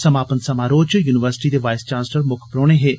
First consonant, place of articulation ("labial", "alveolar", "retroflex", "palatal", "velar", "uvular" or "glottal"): alveolar